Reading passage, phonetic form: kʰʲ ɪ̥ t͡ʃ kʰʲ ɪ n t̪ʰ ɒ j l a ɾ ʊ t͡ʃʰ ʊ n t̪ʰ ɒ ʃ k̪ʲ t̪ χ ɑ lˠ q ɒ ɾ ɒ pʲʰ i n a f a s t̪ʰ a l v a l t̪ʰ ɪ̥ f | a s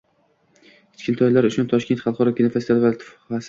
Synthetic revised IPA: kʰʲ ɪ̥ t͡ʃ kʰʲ ɪ n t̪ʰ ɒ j l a ɾ ʊ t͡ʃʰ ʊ n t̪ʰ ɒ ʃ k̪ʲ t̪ χ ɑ lˠ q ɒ ɾ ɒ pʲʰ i n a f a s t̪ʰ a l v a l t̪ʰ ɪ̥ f | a s